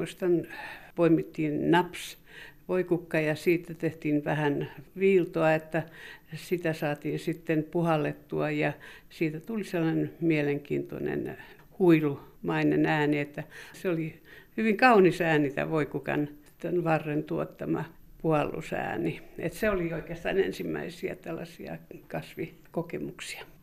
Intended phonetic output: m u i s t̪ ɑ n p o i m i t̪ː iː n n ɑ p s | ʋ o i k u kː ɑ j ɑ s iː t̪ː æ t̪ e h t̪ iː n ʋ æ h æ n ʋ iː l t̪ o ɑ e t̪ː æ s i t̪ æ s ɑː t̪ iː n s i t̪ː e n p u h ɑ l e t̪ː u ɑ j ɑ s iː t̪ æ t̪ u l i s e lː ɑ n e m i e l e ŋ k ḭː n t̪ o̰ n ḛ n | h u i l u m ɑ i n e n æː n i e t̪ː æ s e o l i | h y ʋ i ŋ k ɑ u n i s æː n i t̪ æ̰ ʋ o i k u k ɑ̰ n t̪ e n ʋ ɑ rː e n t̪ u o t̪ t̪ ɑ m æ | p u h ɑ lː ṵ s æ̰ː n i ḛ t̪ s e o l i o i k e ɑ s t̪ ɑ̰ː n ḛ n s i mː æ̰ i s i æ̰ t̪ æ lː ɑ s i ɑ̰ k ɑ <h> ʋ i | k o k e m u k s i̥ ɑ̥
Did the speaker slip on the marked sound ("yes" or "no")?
yes